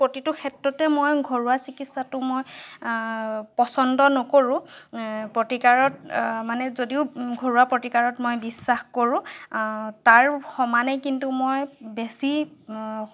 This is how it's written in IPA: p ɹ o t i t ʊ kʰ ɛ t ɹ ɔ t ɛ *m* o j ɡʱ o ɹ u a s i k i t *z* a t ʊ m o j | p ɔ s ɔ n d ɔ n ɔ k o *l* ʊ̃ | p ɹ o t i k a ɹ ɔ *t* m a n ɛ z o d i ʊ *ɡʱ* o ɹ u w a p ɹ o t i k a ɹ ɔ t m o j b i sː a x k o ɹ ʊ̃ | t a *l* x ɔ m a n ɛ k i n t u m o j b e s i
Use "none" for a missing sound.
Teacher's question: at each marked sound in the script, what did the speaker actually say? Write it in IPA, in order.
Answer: m, s, ɹ, t, ɡʱ, ɹ

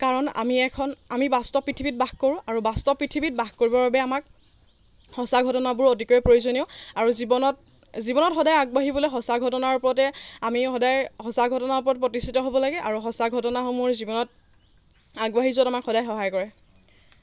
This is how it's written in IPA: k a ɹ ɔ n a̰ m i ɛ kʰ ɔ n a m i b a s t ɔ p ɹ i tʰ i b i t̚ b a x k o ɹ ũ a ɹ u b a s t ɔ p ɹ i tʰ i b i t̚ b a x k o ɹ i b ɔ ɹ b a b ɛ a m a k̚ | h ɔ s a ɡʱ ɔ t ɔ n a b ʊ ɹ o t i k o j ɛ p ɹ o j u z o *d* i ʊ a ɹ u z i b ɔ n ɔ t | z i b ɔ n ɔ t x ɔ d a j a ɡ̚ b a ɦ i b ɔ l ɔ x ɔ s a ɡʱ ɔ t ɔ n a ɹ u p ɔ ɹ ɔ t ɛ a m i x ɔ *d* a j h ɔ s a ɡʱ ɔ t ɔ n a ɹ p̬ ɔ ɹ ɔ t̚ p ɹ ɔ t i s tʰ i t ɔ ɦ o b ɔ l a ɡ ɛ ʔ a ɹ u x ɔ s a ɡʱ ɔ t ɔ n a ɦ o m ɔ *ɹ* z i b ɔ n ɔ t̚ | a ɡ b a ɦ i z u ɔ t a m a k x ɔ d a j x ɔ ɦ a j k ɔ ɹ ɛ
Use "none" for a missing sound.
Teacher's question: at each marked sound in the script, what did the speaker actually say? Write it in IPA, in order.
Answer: n, d, ɹ

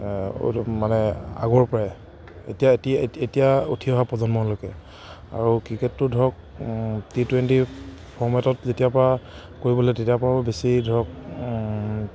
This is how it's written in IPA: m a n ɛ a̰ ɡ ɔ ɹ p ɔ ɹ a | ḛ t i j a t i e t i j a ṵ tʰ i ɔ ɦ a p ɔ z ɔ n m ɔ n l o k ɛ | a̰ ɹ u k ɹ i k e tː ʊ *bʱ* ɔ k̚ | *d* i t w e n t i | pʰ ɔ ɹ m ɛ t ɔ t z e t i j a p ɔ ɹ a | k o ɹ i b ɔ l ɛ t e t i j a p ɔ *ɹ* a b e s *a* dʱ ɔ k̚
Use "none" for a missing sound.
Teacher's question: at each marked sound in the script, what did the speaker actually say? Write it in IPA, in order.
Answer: dʱ, t, ɹ, i

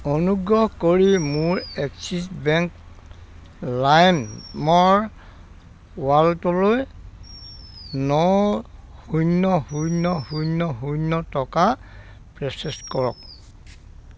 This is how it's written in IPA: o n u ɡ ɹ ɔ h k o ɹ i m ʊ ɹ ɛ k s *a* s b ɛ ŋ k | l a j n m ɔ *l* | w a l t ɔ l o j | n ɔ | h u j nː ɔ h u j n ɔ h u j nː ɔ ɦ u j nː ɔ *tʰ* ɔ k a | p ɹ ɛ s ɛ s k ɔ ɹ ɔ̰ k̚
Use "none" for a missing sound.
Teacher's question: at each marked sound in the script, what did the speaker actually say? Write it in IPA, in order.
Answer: i, ɹ, t

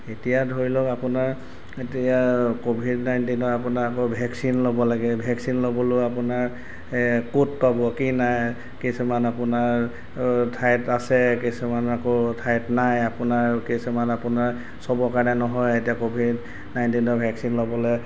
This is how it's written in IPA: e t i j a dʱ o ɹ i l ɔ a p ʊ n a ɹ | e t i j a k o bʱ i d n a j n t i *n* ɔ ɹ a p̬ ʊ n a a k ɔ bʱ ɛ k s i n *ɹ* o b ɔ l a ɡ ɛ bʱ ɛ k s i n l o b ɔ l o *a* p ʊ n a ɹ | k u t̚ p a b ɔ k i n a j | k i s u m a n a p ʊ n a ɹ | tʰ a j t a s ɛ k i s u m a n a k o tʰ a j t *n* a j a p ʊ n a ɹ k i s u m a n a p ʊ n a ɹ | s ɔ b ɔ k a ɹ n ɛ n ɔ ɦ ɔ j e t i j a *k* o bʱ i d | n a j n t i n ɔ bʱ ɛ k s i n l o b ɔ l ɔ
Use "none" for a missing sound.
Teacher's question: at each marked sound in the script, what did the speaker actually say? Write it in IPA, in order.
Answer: n, l, a, n, k

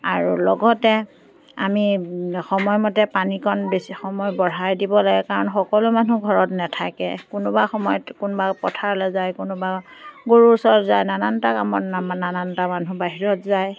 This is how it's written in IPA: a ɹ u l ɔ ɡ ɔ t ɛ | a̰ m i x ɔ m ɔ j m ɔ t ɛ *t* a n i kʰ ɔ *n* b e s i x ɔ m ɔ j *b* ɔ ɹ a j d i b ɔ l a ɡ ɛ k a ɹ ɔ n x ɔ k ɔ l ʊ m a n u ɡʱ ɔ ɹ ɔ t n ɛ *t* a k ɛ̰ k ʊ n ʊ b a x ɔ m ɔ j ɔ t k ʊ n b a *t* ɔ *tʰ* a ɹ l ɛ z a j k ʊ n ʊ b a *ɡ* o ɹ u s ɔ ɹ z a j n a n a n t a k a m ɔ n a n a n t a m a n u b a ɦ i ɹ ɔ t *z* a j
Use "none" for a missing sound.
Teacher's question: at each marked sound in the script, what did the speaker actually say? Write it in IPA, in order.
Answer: p, n, b, tʰ, p, tʰ, ɡ, z

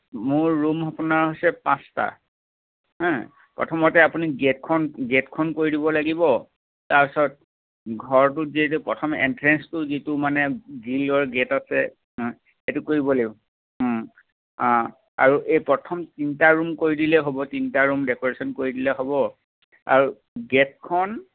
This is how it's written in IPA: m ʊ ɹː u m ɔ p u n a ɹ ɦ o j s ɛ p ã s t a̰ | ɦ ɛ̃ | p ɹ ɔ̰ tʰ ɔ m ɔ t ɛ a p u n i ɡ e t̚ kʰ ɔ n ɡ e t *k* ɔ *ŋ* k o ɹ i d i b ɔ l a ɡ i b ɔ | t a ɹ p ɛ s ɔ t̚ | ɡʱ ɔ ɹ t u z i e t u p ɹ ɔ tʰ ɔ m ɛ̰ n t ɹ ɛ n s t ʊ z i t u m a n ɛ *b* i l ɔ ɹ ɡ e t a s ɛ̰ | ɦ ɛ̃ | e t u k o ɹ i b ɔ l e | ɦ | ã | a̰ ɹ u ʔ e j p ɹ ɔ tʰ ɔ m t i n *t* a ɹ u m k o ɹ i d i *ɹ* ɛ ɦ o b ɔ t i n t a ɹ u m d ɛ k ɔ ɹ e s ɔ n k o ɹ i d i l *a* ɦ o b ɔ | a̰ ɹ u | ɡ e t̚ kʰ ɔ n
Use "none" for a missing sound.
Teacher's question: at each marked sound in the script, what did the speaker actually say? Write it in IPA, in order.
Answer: kʰ, n, ɡ, t, l, ɛ

